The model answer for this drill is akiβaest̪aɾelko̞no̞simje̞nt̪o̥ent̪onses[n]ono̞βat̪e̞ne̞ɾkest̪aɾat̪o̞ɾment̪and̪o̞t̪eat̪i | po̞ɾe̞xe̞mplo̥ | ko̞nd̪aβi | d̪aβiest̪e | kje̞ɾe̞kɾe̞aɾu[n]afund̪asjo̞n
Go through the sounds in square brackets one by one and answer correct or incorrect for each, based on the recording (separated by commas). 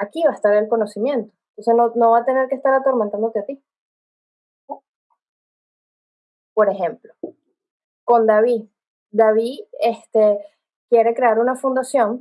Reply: correct, correct